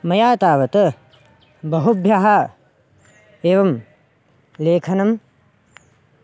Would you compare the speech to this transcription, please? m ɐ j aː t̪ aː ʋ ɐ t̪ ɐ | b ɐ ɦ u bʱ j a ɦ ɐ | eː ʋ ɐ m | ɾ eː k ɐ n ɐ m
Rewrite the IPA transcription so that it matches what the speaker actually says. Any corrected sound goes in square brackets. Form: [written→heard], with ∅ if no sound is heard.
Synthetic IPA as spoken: m ɐ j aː t̪ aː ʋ ɐ t̪ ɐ | b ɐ ɦ u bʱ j a ɦ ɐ | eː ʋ ɐ m | [ɾ→l] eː [k→kʰ] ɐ n ɐ m